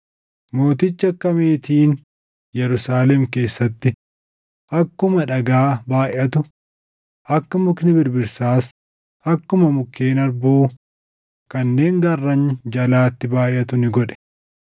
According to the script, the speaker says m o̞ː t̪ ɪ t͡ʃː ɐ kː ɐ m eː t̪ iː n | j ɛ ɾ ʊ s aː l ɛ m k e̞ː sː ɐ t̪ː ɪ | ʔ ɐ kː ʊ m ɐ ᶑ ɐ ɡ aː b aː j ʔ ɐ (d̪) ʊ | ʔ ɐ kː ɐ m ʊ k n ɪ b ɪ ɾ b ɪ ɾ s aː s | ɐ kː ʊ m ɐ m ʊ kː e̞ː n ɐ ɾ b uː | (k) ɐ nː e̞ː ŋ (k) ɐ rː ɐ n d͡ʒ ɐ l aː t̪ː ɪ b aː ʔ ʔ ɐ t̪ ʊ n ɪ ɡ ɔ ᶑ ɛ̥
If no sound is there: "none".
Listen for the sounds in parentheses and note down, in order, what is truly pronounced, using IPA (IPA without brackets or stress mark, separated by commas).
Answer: t̪, k, ɡ